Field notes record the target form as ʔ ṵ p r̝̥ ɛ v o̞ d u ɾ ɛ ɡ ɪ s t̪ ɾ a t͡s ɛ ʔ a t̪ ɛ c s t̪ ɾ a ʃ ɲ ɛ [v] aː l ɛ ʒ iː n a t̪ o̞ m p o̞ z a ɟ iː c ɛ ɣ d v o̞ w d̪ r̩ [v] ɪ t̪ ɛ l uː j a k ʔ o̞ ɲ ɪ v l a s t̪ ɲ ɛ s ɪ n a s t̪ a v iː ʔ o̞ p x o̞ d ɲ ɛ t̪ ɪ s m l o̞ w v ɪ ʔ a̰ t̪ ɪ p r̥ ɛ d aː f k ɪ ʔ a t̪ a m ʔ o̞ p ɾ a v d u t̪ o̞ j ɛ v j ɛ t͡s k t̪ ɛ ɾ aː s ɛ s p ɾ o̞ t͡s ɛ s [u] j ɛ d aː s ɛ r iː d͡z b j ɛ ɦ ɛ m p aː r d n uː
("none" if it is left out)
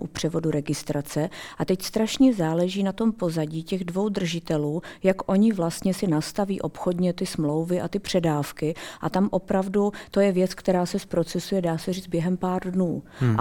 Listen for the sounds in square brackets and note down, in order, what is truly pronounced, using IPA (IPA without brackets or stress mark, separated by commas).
z, ʒ, u